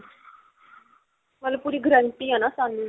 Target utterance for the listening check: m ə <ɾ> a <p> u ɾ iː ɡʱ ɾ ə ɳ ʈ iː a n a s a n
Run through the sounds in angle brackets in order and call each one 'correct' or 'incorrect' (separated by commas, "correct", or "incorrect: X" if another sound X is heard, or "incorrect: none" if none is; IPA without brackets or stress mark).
incorrect: l, correct